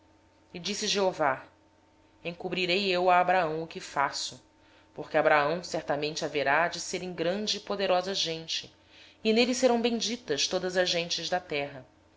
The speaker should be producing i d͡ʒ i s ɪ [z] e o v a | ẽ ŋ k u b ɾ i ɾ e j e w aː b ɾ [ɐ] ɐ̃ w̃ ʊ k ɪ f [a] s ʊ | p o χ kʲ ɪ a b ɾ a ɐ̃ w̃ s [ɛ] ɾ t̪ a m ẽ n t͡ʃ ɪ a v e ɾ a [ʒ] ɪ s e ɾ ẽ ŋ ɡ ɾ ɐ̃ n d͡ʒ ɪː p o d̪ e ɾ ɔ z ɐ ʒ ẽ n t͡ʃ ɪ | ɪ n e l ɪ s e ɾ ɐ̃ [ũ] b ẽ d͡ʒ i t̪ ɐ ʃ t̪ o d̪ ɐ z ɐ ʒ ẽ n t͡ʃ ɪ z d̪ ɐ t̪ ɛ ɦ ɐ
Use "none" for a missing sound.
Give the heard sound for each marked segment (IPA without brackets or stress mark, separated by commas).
ʒ, a, a, ɛ, d͡ʒ, w̃